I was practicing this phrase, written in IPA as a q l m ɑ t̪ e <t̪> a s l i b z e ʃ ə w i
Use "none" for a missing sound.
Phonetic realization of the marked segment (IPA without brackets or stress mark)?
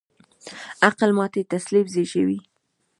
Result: t̪